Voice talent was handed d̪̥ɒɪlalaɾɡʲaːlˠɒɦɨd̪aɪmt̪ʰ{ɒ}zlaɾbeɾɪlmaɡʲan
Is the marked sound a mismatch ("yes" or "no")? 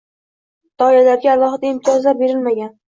no